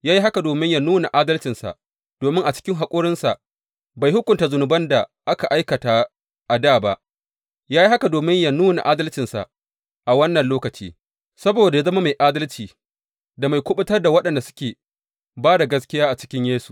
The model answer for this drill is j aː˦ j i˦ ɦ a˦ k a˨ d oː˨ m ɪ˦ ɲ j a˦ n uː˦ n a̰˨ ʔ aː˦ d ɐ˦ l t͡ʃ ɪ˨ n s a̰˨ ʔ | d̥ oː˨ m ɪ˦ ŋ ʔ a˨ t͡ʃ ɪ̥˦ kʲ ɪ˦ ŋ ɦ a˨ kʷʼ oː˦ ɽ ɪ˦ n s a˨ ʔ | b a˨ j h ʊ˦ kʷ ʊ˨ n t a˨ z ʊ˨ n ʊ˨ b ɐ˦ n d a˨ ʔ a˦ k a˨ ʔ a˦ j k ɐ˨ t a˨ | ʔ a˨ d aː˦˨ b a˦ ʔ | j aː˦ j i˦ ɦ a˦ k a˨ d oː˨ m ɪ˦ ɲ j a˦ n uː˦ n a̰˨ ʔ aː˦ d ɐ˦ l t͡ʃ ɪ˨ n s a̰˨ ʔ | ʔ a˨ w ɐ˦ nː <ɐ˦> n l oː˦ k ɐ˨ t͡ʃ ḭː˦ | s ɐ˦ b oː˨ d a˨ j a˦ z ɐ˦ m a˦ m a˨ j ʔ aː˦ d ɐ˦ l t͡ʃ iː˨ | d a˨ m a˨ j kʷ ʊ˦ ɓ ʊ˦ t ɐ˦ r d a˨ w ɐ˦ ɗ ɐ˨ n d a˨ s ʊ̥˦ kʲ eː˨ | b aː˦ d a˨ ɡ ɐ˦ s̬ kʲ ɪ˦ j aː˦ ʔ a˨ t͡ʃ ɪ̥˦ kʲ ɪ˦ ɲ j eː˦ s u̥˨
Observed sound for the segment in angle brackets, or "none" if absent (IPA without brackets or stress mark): ɐ˨